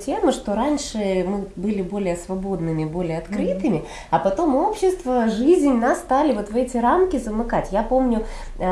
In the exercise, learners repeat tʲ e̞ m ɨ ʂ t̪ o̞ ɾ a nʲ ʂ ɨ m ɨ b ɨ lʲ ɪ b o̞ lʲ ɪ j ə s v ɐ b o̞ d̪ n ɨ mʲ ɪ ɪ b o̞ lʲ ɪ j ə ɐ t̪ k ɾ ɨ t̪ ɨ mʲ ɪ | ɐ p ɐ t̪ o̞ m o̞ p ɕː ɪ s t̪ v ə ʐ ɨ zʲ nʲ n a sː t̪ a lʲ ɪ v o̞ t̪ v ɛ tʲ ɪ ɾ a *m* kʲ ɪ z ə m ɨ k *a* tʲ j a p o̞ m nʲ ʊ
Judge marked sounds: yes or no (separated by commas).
yes, yes